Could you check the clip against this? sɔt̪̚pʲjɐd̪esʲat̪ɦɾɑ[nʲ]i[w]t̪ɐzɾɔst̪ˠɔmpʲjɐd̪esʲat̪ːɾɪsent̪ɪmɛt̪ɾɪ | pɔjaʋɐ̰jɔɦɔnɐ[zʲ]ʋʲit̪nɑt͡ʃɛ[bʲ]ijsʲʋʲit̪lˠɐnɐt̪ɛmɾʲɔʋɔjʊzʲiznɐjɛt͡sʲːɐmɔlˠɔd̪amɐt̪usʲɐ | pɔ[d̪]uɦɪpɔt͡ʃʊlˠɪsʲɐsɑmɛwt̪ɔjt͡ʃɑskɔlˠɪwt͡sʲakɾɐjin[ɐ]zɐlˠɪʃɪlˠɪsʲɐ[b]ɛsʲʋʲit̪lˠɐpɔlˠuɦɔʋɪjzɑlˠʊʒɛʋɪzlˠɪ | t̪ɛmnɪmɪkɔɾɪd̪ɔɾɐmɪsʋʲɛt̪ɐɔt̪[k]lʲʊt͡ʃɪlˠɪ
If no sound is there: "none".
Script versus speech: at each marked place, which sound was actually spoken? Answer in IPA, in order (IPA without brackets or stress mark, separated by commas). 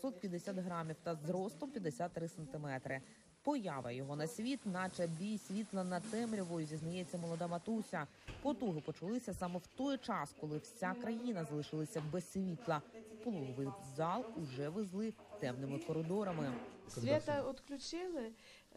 mʲ, w, sʲ, bʲ, t̪, ɐ, b, k